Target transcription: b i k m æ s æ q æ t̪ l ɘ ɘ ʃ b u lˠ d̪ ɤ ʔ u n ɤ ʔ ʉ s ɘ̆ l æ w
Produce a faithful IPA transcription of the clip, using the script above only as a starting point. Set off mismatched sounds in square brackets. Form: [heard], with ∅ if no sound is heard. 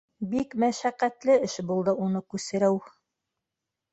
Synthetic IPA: b i k m æ [ʃ] æ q æ t̪ l ɘ ɘ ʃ b u lˠ d̪ ɤ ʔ u n ɤ [k] ʉ s ɘ̆ [ɾ] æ w